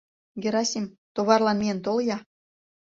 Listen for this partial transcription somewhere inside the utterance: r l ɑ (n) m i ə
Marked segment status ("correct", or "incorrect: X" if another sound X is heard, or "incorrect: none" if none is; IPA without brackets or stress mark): correct